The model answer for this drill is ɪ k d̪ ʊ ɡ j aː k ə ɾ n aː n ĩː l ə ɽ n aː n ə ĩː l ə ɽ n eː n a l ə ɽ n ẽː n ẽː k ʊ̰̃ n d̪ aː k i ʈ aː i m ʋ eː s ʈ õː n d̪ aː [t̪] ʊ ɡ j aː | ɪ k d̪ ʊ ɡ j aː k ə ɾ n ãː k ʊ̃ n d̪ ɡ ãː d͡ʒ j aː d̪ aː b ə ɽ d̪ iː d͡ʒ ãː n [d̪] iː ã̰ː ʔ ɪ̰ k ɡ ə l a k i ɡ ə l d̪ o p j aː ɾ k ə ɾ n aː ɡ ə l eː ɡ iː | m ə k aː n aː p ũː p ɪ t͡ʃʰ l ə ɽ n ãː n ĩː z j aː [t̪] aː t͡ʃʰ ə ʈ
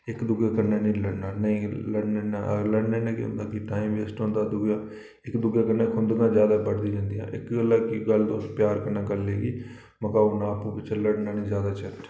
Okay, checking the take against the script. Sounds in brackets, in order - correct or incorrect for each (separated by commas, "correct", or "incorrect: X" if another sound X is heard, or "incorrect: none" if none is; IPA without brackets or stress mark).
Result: incorrect: d̪, correct, incorrect: d̪